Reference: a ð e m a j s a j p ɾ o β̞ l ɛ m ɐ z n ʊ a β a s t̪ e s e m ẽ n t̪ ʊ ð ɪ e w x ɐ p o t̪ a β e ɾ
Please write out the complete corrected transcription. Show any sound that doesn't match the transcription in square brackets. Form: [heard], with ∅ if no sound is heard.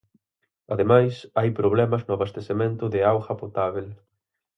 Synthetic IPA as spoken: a ð e m a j s a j p ɾ o β̞ l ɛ m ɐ z n ʊ a β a s t̪ e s e m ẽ n t̪ ʊ ð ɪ [a] w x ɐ p o t̪ a β e [l]